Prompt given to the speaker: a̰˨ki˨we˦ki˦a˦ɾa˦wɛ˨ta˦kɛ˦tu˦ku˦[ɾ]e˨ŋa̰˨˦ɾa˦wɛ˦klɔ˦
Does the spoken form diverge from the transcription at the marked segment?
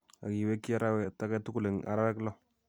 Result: yes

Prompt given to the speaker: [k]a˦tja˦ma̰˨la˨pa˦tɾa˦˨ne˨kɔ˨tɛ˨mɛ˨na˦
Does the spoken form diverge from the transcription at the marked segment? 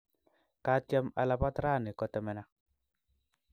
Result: no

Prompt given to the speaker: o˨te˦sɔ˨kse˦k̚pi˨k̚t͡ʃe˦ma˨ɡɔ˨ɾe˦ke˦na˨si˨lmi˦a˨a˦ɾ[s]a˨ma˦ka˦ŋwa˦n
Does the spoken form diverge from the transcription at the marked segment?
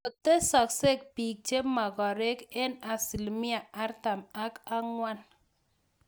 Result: yes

